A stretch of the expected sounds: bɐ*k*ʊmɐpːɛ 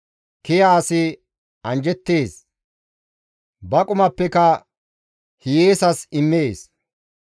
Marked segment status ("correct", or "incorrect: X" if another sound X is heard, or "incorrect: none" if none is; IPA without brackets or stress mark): incorrect: kʼ